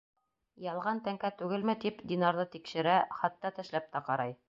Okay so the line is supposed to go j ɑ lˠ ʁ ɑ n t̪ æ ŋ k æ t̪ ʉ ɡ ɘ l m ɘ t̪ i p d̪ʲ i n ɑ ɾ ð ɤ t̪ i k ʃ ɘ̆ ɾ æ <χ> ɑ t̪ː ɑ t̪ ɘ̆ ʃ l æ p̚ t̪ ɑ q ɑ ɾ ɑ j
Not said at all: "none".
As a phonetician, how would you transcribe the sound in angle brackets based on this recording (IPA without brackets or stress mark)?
χ